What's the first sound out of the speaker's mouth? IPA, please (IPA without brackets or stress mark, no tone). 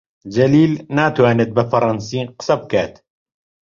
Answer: d͡ʒ